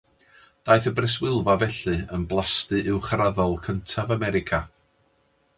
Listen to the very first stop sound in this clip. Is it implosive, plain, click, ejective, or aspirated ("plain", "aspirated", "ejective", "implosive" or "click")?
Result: plain